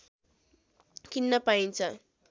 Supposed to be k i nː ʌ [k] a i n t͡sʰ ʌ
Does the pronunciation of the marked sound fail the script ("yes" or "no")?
yes